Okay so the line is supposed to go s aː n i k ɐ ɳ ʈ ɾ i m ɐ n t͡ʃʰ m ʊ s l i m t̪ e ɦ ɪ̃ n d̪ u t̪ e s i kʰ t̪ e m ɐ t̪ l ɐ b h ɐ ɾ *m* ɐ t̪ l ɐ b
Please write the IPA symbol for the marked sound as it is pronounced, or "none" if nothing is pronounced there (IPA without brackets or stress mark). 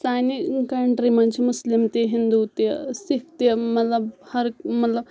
m